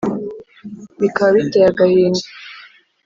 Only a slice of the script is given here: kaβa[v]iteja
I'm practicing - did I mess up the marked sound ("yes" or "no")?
yes